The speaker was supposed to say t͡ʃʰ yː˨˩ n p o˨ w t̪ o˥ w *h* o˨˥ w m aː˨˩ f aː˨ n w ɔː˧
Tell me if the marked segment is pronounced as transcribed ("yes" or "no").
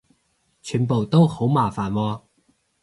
yes